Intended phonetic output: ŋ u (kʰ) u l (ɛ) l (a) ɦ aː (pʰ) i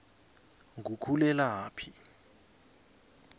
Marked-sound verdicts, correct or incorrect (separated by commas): correct, correct, correct, correct